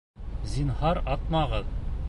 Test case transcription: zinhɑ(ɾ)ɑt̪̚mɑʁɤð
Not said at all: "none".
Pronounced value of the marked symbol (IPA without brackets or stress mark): ɾ